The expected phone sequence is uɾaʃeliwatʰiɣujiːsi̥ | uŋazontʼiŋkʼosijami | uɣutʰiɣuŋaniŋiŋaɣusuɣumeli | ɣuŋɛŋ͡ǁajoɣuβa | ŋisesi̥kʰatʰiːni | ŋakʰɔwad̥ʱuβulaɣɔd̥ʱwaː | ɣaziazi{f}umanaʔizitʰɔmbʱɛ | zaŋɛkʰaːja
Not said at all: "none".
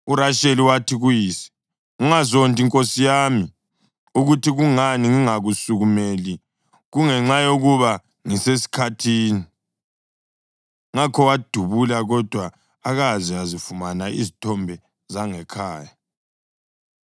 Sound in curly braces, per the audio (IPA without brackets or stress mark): f